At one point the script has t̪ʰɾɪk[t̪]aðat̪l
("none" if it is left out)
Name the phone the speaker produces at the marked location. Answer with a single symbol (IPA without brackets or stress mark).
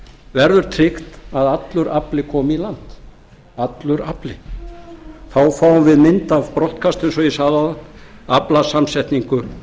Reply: t̪